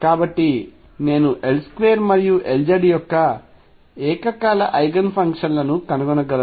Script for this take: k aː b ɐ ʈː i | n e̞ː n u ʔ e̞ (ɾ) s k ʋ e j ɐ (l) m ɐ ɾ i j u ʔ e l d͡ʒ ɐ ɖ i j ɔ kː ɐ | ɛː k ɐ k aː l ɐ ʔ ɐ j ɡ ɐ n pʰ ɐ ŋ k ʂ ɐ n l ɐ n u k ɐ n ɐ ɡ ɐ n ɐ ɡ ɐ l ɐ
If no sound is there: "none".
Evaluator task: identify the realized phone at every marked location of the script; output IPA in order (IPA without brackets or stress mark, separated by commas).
l, ɾ